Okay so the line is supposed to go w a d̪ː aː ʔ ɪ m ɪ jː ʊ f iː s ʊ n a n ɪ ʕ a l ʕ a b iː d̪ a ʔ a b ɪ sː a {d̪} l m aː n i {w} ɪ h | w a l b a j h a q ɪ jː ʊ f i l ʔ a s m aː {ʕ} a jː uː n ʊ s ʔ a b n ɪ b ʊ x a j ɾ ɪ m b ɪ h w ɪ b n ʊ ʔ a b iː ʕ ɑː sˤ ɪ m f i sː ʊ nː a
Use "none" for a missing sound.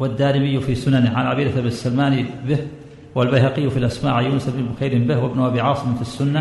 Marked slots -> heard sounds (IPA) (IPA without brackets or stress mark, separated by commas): none, b, ʕ